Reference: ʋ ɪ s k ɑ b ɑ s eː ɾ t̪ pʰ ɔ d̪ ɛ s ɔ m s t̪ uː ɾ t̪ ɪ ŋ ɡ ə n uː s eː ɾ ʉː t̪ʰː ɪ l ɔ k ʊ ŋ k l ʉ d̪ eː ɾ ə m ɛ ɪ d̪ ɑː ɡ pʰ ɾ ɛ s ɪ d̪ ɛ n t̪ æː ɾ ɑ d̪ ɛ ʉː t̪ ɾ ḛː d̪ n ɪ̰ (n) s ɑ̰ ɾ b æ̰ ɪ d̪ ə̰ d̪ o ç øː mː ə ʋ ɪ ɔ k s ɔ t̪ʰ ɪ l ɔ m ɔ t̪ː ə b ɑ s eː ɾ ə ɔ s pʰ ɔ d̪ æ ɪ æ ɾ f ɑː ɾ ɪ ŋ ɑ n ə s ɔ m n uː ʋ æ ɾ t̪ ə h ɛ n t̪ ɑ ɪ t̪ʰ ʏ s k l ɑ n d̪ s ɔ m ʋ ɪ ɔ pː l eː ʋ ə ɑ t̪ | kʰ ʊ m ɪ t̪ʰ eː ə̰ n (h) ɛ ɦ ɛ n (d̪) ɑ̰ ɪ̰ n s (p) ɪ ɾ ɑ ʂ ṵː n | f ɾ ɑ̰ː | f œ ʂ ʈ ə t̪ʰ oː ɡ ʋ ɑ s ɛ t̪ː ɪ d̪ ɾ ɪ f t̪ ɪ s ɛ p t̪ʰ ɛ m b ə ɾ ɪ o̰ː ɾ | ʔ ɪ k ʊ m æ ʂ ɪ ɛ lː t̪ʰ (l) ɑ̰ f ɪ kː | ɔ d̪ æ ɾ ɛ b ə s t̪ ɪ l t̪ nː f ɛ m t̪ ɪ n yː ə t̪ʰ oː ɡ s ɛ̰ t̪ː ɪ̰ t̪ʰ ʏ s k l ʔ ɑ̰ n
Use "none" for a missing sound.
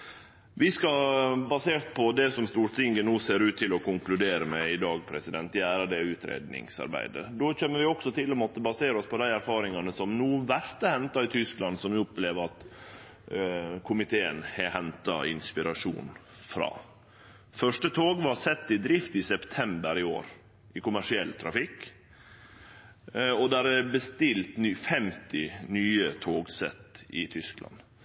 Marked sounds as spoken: ŋ, h, t̪, p, ɾ

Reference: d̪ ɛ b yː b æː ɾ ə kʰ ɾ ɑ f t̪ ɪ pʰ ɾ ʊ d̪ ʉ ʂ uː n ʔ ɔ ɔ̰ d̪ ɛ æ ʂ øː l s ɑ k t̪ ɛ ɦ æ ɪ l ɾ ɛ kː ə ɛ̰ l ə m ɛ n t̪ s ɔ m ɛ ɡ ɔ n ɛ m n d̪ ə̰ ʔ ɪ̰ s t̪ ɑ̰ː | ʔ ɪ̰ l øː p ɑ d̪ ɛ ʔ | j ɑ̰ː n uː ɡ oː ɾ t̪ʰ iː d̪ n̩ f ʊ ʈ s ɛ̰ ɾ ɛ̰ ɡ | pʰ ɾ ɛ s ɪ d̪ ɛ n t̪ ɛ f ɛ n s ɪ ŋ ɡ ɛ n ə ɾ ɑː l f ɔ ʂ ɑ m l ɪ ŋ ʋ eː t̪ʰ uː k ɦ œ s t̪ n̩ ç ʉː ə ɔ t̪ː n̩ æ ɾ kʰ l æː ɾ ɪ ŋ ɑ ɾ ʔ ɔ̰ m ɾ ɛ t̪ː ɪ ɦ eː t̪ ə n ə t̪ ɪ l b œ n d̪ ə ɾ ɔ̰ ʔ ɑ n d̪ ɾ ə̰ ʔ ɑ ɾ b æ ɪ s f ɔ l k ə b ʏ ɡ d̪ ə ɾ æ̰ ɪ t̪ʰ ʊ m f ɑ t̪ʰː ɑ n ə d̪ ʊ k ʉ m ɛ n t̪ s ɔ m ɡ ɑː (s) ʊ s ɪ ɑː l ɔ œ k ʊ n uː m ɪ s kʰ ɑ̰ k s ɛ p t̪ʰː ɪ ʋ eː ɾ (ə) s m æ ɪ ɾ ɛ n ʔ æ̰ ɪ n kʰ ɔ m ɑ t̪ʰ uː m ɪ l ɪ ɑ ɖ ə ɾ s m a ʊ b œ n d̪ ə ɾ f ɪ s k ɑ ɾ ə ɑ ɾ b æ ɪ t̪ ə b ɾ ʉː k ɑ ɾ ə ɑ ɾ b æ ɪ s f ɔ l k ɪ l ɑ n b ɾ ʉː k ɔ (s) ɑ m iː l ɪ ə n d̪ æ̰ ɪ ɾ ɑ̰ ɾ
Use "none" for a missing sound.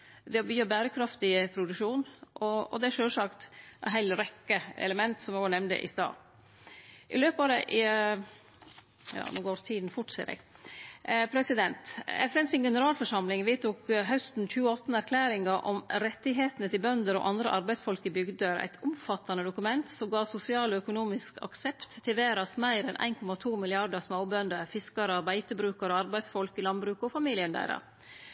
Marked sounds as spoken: s, ɑ, f

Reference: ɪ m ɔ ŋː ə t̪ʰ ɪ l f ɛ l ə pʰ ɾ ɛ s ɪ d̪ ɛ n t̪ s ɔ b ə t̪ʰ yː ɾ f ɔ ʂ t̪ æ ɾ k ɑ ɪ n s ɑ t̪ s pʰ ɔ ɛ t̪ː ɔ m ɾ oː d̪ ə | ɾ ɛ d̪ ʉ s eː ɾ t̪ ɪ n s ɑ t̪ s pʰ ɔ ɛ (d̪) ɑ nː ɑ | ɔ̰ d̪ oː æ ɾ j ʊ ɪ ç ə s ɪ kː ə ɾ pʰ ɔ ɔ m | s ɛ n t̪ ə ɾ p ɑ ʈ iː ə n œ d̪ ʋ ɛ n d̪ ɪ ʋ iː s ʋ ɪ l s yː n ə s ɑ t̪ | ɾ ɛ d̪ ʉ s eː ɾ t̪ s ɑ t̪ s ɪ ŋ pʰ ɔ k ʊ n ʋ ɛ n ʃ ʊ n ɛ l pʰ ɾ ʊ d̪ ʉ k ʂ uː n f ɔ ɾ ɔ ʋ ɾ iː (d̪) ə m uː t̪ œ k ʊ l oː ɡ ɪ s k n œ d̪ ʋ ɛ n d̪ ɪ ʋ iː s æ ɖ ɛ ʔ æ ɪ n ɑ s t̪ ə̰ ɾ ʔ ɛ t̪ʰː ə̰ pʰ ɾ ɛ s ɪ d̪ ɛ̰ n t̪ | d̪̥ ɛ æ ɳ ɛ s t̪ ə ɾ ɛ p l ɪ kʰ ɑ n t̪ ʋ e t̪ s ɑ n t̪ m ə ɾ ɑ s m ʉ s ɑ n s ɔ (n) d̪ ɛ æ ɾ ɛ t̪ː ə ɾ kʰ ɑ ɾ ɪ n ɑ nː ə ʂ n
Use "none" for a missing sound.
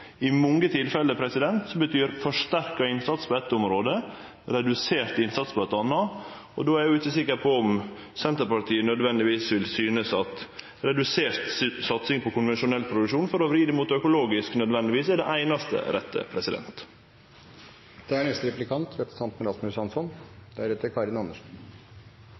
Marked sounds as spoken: t̪, d̪, n

